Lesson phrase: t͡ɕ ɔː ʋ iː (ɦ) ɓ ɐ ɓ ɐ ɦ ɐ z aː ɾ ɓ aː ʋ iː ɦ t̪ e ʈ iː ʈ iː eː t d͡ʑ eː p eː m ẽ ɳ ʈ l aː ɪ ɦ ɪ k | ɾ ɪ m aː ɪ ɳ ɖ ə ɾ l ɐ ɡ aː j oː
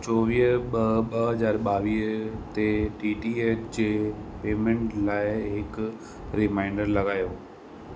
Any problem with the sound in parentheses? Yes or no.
no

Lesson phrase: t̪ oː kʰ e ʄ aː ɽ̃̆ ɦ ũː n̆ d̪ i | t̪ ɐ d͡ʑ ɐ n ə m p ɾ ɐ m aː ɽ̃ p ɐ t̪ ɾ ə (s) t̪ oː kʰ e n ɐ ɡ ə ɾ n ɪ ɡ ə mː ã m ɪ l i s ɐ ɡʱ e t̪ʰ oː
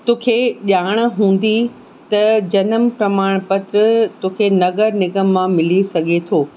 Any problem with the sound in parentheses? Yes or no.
yes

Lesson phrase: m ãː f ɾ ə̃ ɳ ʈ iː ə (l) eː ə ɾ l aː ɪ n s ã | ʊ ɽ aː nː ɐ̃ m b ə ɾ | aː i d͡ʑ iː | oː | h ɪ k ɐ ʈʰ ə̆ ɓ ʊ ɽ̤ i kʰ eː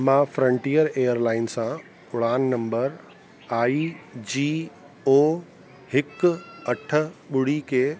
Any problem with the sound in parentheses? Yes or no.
yes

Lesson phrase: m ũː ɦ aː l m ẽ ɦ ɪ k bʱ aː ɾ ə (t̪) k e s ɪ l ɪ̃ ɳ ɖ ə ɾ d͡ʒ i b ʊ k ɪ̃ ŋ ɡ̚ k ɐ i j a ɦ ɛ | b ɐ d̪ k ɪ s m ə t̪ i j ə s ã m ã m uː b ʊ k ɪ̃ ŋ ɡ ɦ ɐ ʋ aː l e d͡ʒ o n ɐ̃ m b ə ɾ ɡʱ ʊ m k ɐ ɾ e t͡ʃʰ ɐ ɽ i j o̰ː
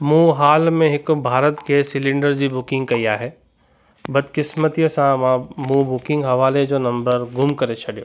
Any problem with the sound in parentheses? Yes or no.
no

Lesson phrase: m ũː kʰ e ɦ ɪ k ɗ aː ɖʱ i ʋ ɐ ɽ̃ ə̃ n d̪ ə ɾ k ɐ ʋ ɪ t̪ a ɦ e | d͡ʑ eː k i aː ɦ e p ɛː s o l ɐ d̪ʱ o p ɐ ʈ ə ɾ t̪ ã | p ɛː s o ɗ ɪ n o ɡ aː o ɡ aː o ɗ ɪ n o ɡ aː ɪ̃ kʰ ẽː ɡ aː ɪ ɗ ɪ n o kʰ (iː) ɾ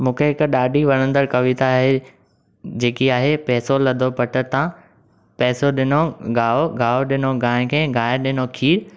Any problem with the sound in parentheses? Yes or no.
no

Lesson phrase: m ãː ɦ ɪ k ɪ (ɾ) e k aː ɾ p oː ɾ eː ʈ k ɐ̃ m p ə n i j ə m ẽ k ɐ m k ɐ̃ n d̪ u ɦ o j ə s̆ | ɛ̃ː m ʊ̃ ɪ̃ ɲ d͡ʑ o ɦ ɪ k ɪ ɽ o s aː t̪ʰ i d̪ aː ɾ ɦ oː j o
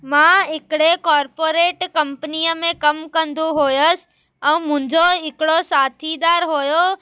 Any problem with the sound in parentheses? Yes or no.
yes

